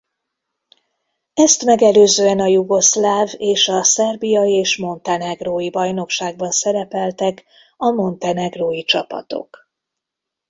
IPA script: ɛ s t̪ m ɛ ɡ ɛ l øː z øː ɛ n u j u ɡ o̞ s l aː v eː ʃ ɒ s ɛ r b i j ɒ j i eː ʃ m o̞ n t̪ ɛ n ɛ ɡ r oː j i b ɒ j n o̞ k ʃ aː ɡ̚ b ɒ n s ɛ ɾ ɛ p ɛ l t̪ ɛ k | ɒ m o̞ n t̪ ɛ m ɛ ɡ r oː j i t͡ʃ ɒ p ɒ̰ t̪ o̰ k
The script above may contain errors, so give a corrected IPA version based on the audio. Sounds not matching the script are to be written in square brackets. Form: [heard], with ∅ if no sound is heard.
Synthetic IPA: ɛ s t̪ m ɛ ɡ ɛ l øː z øː ɛ n [ɒ] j u ɡ o̞ s l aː v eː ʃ ɒ s ɛ r b i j ɒ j i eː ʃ m o̞ n t̪ ɛ n ɛ ɡ r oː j i b ɒ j n o̞ k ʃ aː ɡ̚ b ɒ n s ɛ ɾ ɛ p ɛ l t̪ ɛ k | ɒ m o̞ n t̪ ɛ [n] ɛ ɡ r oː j i t͡ʃ ɒ p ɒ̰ t̪ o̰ k